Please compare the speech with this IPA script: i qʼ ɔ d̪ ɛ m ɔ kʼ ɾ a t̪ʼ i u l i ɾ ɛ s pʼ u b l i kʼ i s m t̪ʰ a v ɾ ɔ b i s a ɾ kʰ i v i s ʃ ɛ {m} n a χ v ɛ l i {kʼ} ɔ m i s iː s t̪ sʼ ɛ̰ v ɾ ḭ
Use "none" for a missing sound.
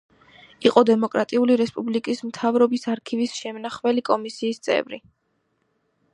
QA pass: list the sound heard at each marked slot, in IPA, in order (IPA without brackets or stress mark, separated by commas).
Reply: m, kʼ